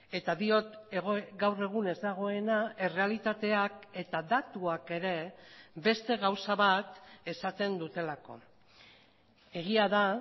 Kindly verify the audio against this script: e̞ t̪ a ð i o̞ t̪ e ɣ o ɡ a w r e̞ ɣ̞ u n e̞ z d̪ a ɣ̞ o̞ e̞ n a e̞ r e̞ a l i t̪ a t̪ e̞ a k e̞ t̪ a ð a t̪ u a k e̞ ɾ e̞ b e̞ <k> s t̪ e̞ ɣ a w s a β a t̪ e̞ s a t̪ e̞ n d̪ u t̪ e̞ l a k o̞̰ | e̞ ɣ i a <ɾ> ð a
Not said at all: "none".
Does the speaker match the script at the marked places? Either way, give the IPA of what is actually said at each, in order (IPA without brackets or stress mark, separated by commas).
none, none